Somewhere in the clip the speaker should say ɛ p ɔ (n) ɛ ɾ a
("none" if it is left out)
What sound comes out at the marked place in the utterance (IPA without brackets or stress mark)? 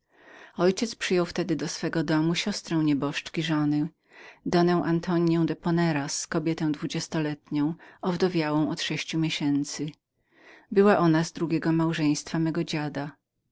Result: n